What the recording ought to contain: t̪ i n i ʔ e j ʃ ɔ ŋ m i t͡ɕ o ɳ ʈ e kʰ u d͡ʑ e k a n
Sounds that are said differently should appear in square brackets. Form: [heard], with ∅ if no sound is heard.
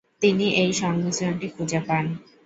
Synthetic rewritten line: t̪ i n i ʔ e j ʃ ɔ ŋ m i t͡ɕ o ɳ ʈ [i] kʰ u d͡ʑ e [p] a n